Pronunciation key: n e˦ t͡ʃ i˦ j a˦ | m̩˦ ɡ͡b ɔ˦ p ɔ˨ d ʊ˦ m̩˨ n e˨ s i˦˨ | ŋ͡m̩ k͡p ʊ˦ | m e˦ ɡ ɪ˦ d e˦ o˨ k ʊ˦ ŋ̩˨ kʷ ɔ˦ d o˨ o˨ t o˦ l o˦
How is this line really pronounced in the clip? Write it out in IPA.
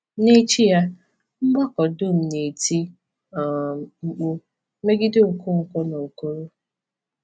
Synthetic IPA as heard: n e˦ t͡ʃ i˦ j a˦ | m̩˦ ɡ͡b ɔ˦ k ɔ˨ d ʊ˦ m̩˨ n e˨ t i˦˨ | ŋ͡m̩ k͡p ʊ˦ | m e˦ ɡ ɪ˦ d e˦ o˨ k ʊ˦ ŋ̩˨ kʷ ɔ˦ n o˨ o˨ k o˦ ɾ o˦